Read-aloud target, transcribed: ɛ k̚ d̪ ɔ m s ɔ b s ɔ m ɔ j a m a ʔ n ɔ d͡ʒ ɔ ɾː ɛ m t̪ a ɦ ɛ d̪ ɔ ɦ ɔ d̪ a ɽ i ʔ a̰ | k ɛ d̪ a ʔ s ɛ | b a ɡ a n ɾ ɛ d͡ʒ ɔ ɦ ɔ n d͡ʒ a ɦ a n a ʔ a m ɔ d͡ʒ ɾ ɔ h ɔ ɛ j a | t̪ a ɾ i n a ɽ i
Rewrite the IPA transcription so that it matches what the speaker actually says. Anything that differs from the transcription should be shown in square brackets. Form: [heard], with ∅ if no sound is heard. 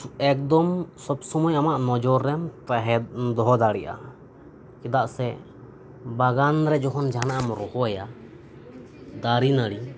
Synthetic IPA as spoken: ɛ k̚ d̪ ɔ m s ɔ b s ɔ m ɔ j a m a ʔ n ɔ d͡ʒ ɔ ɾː ɛ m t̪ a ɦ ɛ d̪ ɔ ɦ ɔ d̪ a ɽ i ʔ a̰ | k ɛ d̪ a ʔ s ɛ | b a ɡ a n ɾ ɛ d͡ʒ ɔ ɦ ɔ n d͡ʒ a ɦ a n a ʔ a m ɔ [∅] ɾ ɔ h ɔ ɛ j a | [d̪] a ɾ i n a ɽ i